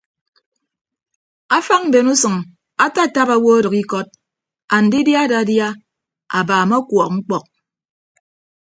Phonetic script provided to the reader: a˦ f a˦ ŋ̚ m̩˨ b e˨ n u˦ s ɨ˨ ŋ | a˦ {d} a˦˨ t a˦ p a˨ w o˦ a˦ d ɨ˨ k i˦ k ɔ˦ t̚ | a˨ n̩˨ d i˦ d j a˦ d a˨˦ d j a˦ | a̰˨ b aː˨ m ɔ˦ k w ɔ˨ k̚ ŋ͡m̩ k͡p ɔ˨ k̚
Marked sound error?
yes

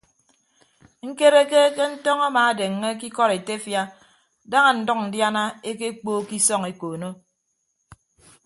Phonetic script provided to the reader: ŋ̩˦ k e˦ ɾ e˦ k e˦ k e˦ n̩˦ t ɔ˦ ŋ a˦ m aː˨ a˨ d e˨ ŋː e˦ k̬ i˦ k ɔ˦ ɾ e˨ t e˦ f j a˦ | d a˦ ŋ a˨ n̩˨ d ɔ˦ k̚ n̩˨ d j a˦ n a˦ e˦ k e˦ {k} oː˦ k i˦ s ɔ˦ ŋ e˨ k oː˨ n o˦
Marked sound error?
yes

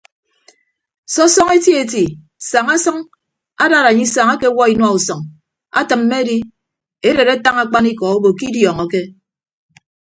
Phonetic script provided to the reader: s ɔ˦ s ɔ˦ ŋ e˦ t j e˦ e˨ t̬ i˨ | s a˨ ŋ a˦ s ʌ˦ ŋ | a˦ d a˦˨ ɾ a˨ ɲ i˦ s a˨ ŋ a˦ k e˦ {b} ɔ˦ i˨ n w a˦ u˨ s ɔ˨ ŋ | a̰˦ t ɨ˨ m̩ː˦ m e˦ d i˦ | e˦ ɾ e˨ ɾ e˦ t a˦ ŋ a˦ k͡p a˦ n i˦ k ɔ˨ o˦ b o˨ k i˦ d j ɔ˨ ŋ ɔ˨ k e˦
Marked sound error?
yes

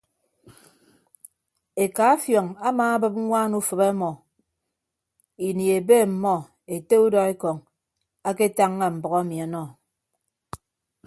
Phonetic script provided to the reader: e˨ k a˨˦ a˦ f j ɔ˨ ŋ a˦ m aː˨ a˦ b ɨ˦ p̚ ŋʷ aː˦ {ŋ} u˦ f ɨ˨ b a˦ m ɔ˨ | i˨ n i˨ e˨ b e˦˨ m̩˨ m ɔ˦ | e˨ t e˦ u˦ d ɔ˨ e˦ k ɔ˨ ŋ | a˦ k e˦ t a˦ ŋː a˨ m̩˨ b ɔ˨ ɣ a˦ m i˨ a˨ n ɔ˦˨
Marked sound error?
yes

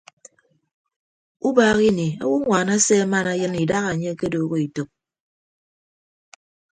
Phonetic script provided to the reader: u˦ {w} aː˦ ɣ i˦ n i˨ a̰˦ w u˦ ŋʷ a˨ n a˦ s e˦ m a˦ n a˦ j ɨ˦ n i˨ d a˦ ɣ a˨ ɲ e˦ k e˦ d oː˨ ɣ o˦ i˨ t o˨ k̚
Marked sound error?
yes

